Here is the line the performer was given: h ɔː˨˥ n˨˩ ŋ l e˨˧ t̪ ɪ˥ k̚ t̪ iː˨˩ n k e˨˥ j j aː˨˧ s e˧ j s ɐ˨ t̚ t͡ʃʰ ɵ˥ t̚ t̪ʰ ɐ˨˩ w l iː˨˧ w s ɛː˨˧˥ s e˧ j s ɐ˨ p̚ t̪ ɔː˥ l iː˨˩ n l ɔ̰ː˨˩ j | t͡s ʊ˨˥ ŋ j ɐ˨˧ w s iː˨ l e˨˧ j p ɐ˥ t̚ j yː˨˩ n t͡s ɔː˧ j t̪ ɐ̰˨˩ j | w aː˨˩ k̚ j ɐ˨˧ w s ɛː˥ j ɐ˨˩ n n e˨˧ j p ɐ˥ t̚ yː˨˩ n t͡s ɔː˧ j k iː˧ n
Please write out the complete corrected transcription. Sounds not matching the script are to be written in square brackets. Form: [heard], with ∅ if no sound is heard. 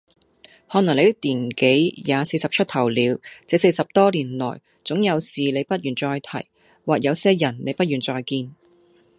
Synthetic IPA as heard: h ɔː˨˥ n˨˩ ŋ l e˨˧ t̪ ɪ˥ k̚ t̪ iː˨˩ n k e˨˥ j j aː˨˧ s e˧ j s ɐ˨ [p̚] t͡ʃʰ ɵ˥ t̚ t̪ʰ ɐ˨˩ w l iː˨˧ w [t͡s] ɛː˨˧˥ s e˧ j s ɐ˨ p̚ t̪ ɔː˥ l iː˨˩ n l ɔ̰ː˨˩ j | t͡s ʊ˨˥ ŋ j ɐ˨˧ w s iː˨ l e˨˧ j p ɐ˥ t̚ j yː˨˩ n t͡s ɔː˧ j [t̪ʰ] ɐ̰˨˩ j | w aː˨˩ k̚ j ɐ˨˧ w s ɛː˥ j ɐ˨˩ n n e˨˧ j p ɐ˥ t̚ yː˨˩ n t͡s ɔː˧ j k iː˧ n